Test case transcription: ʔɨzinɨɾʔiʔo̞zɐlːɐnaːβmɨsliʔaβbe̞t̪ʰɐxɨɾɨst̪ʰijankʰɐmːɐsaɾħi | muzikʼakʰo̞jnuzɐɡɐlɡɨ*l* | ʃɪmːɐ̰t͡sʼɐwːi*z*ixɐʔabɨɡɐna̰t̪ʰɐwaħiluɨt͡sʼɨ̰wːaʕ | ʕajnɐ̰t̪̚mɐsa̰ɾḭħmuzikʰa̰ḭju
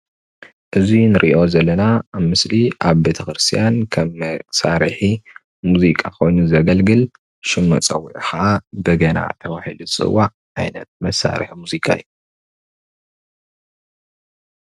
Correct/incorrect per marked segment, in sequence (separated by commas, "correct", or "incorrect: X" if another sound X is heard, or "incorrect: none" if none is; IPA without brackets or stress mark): correct, incorrect: ʕ